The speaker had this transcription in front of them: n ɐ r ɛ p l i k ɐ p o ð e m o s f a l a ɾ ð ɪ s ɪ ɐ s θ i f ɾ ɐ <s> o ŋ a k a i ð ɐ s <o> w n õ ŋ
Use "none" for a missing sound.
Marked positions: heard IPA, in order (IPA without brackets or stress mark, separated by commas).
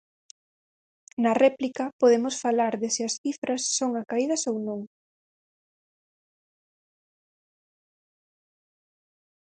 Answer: sː, o